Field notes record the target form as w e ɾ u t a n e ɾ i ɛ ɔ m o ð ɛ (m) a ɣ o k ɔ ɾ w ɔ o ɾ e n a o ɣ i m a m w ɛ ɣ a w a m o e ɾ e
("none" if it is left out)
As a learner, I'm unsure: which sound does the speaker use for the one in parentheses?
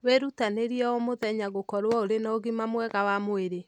ɲ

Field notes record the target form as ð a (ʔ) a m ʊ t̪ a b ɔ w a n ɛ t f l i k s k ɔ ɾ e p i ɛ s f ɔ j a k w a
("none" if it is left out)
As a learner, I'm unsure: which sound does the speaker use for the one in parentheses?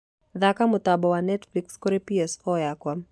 k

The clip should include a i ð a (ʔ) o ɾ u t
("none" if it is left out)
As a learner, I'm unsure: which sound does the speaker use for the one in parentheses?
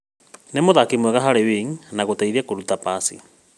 k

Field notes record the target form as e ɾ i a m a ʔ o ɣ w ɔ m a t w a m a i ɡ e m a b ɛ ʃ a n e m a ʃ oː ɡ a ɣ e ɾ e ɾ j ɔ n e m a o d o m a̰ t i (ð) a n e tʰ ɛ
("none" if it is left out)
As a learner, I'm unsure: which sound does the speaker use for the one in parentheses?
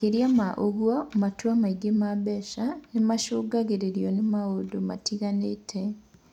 ɣ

